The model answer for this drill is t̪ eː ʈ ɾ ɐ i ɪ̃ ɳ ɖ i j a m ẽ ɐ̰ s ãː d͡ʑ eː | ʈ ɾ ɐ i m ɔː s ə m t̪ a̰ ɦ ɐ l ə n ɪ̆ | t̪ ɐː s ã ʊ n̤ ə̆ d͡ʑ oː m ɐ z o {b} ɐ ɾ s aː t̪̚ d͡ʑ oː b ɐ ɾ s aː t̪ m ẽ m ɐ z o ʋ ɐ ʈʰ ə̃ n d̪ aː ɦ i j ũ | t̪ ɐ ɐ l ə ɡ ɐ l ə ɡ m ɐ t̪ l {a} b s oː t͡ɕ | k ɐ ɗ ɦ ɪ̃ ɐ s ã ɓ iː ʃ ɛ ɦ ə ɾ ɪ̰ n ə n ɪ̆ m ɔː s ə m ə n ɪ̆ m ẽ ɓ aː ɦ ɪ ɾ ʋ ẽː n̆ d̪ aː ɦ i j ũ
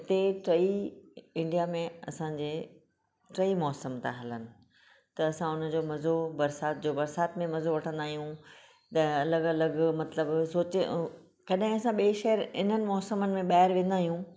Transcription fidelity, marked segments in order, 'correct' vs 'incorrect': correct, incorrect

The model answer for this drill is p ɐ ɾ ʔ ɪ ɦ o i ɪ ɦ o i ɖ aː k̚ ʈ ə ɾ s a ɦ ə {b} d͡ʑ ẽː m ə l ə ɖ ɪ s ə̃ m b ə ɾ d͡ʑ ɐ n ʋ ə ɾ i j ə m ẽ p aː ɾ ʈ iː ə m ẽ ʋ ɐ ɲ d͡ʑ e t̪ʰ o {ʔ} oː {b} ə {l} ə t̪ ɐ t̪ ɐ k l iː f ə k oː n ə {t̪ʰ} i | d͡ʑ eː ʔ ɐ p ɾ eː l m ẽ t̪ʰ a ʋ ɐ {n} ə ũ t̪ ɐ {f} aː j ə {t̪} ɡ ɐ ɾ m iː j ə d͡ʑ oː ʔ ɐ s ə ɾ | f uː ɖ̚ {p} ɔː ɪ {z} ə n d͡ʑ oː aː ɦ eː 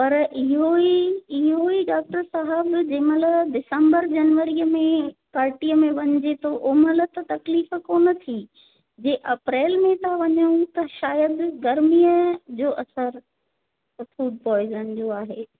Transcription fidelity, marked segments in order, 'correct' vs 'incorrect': correct, correct, incorrect, correct, correct, incorrect, incorrect, incorrect, correct, correct

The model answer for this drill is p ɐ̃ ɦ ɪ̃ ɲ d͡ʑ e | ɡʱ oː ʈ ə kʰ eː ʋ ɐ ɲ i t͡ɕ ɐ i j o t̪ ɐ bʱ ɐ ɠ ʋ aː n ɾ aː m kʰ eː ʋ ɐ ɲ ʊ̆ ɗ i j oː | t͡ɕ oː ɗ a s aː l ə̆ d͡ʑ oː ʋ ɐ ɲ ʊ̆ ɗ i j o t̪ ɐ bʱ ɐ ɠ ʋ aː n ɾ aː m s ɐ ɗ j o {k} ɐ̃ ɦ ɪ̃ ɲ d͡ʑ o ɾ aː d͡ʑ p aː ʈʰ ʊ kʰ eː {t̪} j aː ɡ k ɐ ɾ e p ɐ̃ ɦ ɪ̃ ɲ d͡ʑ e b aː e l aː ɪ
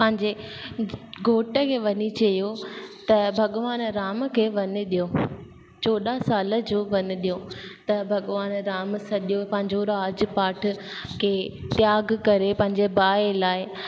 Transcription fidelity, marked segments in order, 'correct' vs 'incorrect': incorrect, correct

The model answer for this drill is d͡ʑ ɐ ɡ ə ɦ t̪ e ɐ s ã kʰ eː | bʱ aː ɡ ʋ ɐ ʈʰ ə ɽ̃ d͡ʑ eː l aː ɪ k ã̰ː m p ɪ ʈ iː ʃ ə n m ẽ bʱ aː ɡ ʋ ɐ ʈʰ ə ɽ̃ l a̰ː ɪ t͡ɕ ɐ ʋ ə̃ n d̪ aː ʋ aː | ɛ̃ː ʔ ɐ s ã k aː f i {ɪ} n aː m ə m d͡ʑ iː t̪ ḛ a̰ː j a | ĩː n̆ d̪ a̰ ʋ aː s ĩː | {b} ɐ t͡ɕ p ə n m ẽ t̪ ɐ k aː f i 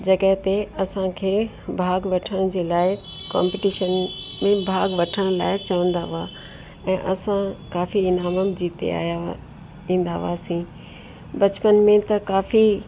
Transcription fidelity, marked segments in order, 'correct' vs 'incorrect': correct, correct

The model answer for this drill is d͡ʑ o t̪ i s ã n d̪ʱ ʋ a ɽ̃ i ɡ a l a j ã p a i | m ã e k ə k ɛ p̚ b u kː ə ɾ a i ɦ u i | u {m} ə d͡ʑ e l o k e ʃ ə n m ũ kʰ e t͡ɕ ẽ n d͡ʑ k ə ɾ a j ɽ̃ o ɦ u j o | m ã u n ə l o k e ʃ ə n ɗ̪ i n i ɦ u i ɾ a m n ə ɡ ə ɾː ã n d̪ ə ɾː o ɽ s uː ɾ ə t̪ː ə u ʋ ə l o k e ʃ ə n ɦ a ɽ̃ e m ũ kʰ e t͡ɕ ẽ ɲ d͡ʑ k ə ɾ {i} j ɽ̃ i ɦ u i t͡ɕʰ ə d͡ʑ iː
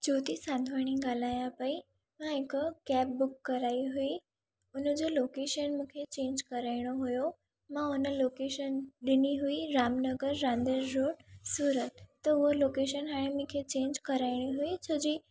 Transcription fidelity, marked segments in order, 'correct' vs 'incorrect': incorrect, incorrect

